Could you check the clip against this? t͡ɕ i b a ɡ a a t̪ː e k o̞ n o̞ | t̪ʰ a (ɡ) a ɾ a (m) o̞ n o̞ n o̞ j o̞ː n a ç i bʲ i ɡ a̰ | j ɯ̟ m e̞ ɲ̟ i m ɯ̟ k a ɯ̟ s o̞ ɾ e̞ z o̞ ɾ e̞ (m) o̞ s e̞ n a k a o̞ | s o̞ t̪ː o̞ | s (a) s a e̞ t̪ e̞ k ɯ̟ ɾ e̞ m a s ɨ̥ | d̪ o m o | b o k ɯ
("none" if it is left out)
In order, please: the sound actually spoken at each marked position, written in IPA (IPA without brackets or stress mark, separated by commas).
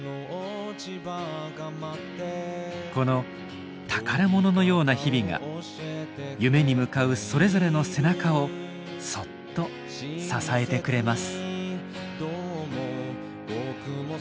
k, m, n, a